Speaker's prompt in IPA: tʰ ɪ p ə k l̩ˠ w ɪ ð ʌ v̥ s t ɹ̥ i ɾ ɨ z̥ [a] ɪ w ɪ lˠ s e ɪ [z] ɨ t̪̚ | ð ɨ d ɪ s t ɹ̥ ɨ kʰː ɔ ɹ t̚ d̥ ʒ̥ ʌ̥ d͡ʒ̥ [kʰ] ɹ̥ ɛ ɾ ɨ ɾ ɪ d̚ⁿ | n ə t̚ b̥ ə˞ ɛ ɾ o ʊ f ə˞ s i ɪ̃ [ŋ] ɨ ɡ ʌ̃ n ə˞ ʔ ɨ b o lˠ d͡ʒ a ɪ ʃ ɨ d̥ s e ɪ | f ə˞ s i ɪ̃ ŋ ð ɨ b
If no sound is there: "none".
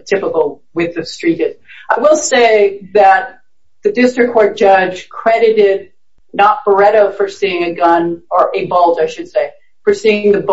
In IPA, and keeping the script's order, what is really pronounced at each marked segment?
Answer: a, ð, kʰ, ŋ

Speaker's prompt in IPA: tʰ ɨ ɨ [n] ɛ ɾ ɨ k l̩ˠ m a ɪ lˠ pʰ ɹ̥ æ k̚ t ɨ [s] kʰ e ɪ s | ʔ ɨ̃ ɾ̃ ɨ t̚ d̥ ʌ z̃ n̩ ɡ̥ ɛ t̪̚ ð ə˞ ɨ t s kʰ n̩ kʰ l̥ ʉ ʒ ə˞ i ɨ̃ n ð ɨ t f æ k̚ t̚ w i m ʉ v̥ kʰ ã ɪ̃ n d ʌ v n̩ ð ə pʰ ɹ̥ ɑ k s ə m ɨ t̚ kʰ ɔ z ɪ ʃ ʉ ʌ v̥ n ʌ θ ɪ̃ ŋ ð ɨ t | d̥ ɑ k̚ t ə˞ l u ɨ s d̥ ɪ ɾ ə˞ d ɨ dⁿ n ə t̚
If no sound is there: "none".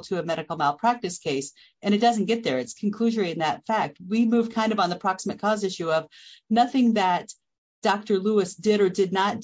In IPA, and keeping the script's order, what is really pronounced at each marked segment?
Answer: m, s

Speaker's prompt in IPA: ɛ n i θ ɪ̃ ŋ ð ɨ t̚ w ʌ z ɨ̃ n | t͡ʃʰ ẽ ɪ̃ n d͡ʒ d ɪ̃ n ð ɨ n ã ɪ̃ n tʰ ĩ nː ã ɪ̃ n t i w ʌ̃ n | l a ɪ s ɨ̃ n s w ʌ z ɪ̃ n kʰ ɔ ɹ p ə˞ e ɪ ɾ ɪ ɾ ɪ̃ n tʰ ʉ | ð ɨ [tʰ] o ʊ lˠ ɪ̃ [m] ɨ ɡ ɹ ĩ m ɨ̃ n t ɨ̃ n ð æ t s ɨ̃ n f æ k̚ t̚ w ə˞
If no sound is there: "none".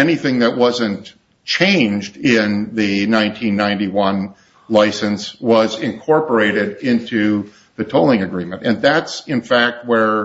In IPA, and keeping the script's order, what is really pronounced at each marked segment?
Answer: tʰ, ŋ

